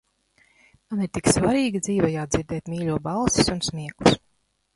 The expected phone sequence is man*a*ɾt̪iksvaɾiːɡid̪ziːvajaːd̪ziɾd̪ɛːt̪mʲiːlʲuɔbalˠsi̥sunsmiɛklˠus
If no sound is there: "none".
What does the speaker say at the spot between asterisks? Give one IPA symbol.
i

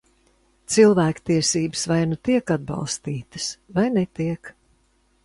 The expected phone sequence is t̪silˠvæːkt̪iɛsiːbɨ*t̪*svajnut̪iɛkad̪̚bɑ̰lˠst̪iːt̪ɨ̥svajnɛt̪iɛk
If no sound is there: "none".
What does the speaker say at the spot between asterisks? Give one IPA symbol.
none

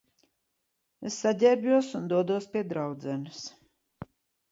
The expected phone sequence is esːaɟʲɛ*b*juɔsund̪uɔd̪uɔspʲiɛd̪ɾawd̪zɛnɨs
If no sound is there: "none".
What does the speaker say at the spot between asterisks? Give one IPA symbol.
b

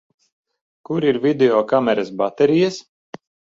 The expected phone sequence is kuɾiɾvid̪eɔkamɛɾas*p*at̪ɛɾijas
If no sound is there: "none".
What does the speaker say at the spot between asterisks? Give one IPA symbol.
b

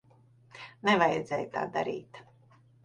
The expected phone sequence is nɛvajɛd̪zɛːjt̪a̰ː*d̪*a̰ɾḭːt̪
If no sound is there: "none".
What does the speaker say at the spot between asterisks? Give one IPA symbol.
d̪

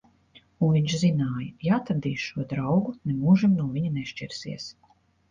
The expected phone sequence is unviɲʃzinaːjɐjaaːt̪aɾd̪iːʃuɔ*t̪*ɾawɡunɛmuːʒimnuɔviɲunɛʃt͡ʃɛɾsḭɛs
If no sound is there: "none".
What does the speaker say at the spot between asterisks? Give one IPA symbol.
d̪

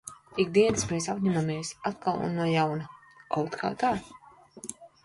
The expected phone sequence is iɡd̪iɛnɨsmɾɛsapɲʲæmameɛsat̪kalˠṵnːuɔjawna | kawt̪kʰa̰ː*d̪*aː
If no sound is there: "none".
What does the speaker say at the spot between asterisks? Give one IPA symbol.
t̪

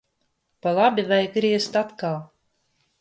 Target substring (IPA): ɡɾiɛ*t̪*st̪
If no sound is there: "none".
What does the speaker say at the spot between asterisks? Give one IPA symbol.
none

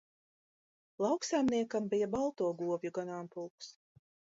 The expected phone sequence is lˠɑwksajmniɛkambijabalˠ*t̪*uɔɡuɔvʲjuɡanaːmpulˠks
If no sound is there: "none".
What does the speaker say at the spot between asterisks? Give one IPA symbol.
t̪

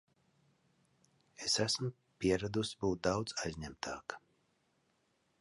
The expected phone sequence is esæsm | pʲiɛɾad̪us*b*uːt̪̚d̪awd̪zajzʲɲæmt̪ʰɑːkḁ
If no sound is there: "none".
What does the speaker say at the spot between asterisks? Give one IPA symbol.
b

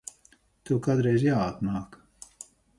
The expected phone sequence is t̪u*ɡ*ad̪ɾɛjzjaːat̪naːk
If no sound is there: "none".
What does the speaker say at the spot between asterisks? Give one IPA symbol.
k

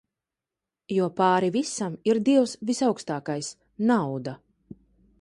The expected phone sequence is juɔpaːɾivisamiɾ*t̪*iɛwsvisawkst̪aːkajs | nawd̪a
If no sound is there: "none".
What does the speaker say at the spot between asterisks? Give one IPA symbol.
d̪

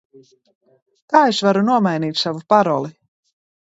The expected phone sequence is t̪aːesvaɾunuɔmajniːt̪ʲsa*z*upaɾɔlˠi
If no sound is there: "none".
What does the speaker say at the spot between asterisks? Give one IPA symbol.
v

